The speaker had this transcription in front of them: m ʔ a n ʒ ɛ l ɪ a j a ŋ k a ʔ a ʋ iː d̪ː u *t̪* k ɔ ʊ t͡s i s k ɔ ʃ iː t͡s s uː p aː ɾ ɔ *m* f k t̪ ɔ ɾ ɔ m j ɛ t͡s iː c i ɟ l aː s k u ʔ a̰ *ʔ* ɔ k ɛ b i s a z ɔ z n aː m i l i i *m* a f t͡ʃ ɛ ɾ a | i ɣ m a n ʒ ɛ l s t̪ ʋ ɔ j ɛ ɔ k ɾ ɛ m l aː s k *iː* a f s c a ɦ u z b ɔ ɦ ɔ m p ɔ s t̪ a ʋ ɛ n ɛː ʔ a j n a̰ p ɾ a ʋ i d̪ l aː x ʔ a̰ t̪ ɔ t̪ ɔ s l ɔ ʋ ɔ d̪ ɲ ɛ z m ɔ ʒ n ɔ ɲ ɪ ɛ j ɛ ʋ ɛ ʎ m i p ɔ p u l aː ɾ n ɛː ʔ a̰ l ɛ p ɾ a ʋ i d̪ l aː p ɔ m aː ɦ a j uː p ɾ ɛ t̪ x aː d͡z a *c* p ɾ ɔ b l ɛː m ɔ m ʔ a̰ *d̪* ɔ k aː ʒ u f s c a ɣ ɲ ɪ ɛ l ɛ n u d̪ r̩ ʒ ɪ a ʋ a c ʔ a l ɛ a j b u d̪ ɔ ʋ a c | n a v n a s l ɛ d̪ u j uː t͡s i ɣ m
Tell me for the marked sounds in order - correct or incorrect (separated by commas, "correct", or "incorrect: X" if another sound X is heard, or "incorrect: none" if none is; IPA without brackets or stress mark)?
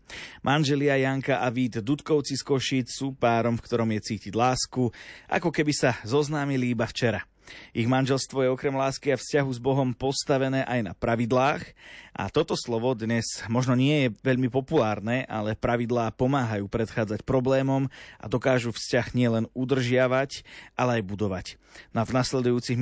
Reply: correct, correct, incorrect: k, incorrect: b, incorrect: i, correct, correct